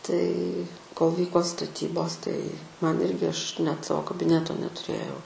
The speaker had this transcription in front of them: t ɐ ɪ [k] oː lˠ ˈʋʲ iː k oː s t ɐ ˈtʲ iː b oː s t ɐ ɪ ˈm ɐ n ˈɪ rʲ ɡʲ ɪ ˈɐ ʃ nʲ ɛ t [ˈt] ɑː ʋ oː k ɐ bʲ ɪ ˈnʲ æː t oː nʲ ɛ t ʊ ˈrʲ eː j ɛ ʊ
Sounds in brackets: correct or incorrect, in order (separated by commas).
correct, incorrect